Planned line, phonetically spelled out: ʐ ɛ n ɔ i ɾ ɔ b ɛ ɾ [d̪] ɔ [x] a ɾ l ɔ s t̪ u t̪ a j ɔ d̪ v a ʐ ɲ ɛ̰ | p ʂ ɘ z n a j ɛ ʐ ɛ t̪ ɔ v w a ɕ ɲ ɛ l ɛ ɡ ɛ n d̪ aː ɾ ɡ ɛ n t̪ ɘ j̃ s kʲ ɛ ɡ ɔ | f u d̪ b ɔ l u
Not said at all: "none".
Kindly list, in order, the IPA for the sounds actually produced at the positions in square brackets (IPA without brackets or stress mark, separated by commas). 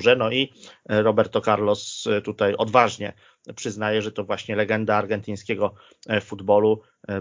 t̪, k